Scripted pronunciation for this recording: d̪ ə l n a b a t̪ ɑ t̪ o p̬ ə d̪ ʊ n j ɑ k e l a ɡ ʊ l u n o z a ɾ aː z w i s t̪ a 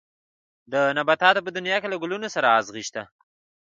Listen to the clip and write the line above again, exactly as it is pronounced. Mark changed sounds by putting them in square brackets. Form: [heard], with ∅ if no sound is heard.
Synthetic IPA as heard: d̪ ə [∅] n a b a t̪ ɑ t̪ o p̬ ə d̪ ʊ n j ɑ k e l a ɡ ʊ l u n o [s] a ɾ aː z [ɣ] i [ʃ] t̪ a